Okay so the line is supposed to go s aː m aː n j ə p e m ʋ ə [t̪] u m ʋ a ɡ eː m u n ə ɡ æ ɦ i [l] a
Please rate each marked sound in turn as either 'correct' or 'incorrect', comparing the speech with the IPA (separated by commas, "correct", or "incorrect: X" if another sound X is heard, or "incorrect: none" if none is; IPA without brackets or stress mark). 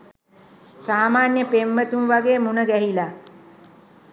correct, correct